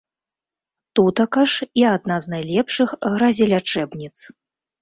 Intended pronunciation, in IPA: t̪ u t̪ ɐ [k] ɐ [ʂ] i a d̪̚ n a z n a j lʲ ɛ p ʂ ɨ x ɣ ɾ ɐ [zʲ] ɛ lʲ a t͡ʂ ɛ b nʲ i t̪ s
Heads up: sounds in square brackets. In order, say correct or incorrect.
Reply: correct, correct, correct

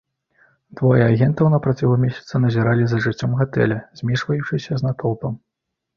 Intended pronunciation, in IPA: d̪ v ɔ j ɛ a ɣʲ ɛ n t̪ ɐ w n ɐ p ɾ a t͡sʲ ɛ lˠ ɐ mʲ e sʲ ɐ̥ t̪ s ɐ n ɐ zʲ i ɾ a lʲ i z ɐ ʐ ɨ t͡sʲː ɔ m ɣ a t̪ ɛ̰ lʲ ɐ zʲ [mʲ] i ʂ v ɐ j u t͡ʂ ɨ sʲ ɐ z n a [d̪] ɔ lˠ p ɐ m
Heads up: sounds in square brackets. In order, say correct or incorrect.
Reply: correct, incorrect

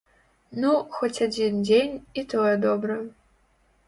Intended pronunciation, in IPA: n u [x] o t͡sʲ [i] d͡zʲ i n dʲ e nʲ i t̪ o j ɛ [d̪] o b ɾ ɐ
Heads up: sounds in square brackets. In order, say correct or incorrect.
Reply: correct, incorrect, correct

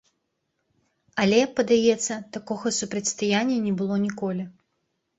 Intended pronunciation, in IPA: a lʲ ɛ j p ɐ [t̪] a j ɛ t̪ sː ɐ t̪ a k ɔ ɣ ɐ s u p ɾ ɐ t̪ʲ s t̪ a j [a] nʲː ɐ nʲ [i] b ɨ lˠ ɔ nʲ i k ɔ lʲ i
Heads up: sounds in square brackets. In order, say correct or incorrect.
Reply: incorrect, correct, incorrect

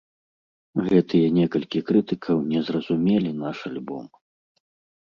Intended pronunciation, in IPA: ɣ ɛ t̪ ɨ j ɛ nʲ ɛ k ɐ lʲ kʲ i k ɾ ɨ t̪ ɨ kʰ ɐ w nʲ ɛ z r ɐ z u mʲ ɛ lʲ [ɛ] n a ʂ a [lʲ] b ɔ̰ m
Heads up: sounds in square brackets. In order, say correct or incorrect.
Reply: incorrect, correct

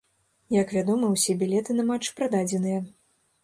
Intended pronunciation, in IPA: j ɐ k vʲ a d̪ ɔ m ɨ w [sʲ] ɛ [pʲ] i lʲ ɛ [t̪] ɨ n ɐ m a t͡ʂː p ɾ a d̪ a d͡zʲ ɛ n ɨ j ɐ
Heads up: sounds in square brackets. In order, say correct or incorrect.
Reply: correct, incorrect, correct

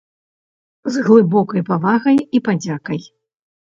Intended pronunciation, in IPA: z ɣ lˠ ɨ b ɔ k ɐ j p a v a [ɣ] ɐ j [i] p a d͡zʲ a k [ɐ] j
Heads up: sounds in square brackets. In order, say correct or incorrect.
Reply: correct, correct, correct

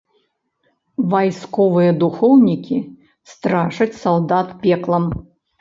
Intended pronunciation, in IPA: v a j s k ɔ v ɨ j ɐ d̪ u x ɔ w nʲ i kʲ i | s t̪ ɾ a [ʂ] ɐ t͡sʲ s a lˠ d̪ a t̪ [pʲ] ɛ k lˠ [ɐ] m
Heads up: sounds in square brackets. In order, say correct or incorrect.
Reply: correct, correct, correct

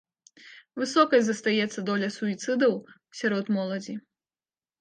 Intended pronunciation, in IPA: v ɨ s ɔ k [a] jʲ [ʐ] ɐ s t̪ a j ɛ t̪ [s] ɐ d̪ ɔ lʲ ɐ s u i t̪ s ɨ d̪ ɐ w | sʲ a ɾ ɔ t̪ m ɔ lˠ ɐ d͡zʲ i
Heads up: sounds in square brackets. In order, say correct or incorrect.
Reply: incorrect, incorrect, incorrect

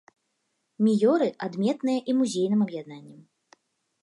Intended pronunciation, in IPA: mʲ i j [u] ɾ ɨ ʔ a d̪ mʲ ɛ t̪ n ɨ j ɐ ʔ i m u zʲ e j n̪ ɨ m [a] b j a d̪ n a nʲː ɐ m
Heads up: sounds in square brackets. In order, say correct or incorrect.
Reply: incorrect, incorrect

